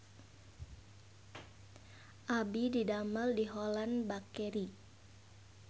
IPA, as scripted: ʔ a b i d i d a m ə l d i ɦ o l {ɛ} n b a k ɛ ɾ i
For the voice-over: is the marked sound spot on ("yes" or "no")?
no